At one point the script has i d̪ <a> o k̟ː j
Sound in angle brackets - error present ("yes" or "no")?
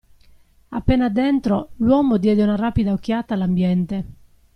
no